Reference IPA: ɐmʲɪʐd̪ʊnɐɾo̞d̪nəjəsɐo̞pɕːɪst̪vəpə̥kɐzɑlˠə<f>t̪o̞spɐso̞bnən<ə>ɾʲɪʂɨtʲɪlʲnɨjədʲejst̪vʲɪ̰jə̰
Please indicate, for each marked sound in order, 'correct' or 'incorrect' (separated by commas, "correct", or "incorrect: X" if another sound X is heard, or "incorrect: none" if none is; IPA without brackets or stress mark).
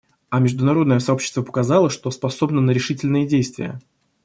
incorrect: ʂ, correct